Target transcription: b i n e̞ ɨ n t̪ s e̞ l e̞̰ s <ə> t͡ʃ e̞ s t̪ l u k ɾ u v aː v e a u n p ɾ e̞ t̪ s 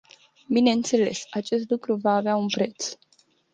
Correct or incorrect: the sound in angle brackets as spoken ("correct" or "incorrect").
incorrect